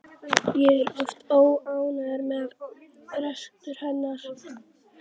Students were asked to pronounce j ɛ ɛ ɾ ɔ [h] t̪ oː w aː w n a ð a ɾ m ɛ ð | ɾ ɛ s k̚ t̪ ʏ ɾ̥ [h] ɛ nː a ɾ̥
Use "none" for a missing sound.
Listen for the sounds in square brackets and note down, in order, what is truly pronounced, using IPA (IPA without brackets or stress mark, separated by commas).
f, h